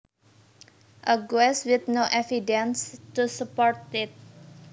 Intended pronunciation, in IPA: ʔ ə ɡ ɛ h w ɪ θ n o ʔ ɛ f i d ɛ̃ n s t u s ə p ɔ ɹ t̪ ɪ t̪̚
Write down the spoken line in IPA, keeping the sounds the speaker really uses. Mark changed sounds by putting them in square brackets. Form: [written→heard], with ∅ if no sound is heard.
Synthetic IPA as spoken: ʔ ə ɡ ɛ [h→s] w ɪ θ n o ʔ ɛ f i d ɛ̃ n s t u s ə p ɔ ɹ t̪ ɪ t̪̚